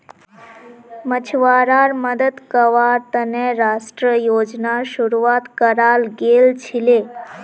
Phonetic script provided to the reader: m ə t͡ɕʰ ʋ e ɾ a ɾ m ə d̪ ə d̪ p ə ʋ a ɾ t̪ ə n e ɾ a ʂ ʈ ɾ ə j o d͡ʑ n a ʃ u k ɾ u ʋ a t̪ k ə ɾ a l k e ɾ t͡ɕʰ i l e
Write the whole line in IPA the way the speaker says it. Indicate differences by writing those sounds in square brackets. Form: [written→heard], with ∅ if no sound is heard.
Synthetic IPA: m ə t͡ɕʰ ʋ [e→a] ɾ a ɾ m ə d̪ ə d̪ [p→k] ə ʋ a ɾ t̪ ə n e ɾ a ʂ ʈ ɾ ə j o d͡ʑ n a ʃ u [k→∅] ɾ u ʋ a t̪ k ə ɾ a l [k→ɡ] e [ɾ→l] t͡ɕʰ i l e

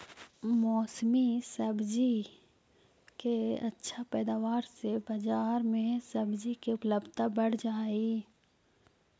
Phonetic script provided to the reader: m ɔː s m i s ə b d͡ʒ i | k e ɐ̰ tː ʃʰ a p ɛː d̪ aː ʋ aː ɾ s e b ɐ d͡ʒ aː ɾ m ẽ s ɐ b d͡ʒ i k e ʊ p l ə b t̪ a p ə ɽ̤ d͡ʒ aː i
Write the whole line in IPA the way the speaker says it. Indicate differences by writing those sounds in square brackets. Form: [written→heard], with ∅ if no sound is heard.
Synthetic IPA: m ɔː s m i s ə b d͡ʒ i | k e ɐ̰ tː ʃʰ a p ɛː d̪ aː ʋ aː ɾ s e b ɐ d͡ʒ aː ɾ m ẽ s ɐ b d͡ʒ i k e ʊ p l ə b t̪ a [p→b] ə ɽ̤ d͡ʒ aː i

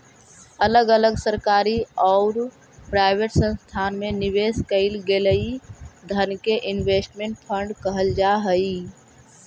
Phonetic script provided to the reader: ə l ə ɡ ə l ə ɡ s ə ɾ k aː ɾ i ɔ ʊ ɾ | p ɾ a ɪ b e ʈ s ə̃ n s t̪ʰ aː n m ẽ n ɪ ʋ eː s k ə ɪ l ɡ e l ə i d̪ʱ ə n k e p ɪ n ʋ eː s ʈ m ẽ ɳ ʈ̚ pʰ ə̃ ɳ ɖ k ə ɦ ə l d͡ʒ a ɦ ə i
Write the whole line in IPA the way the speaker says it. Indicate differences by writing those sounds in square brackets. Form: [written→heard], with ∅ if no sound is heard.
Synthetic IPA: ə l ə ɡ ə l ə ɡ s ə ɾ k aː ɾ i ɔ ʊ ɾ | p ɾ a ɪ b e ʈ s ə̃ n s t̪ʰ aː n m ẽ n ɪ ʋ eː s k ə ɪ l ɡ e l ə i d̪ʱ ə n k e [p→ʔ] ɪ n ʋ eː s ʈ m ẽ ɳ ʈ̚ pʰ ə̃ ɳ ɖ k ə ɦ ə l d͡ʒ a ɦ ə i

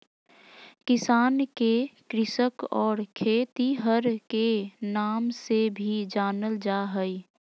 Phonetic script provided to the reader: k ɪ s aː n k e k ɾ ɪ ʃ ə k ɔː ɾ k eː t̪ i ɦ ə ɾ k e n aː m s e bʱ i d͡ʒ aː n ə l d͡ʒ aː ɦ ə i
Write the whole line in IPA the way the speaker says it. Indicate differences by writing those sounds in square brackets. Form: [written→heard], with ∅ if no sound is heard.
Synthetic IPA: k ɪ s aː n k e k ɾ ɪ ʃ ə k ɔː ɾ [k→kʰ] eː t̪ i ɦ ə ɾ k e n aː m s e bʱ i d͡ʒ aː n ə l d͡ʒ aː ɦ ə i

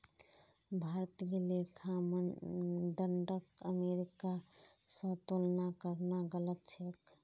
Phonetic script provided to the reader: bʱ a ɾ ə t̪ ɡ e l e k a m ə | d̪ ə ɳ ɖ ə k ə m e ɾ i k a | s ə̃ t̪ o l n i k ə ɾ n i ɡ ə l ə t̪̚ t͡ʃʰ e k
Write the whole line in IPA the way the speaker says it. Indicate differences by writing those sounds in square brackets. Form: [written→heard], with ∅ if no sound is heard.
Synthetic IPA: bʱ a ɾ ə t̪ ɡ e l e [k→kʰ] a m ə | d̪ ə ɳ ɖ ə k ə m e ɾ i k a | s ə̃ t̪ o l n [i→a] k ə ɾ n [i→a] ɡ ə l ə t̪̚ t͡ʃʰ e k

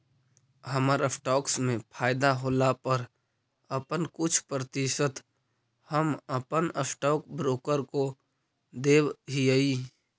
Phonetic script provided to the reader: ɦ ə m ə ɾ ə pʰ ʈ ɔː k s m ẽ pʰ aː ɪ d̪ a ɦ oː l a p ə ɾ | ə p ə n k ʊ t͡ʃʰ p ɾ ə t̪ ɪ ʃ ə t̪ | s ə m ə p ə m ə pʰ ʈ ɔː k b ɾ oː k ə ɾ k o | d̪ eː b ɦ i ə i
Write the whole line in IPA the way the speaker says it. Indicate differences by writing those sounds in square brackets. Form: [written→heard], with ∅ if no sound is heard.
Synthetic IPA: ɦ ə m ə ɾ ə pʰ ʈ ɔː k s m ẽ pʰ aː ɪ d̪ a ɦ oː l a p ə ɾ | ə p ə n k ʊ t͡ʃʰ p ɾ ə t̪ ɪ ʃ ə t̪ | [s→h] ə m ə p ə [m→n] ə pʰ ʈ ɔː k b ɾ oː k ə ɾ k o | d̪ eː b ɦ i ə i

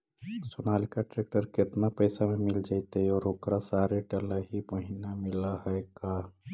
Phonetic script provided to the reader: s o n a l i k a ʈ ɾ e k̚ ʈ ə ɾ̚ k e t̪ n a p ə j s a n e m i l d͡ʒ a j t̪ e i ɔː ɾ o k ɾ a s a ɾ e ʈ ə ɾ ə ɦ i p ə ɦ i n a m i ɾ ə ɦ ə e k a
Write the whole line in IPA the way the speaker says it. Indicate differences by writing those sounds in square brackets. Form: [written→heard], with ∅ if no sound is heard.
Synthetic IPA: s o n a l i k a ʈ ɾ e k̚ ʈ ə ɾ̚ k e t̪ n a p ə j s a [n→m] e m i l d͡ʒ a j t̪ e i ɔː ɾ o k ɾ a s a ɾ e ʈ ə [ɾ→l] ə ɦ i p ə ɦ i n a m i [ɾ→l] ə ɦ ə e k a

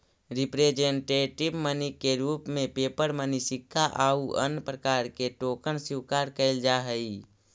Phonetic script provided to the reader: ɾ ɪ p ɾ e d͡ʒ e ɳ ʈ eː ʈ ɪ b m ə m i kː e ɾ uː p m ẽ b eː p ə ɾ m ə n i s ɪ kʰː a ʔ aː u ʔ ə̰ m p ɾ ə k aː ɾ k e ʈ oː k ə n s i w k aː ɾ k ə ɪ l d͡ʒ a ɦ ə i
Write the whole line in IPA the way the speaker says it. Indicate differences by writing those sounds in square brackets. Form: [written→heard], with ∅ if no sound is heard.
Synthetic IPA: ɾ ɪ p ɾ e d͡ʒ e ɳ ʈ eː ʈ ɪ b m ə [m→n] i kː e ɾ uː p m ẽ [b→p] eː p ə ɾ m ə n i s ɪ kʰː a ʔ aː u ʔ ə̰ [m→n] p ɾ ə k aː ɾ k e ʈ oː k ə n s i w k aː ɾ k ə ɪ l d͡ʒ a ɦ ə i

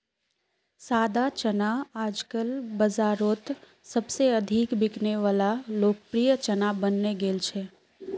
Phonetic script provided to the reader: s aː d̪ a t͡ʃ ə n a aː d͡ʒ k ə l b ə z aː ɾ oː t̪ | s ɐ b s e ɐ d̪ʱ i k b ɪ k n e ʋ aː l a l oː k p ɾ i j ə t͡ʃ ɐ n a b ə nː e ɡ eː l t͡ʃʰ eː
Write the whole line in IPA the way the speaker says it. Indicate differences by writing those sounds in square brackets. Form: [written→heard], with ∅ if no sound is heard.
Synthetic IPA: s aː d̪ a t͡ʃ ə n a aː d͡ʒ k ə l b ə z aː ɾ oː t̪ | s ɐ b s e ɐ d̪ʱ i k b ɪ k n e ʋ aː l a l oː k p ɾ i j ə t͡ʃ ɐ n a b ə nː e ɡ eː l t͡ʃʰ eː

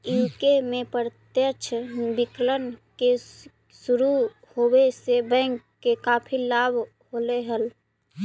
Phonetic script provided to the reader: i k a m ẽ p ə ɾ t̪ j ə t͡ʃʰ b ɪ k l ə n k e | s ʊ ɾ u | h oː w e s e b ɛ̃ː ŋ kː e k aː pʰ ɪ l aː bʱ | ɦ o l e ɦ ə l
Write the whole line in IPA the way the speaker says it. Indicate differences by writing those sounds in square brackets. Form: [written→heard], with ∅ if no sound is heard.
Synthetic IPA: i k [a→e] m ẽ p ə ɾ t̪ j ə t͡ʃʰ b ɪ k l ə n k e | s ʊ ɾ u | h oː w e s e b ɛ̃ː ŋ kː e k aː pʰ [ɪ→i] l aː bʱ | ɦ o l e ɦ ə l

